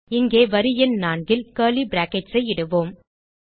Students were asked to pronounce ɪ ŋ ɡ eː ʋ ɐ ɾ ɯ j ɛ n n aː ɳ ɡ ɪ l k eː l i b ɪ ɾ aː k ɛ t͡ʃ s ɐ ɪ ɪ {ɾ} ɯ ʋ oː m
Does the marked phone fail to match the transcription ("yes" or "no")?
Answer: yes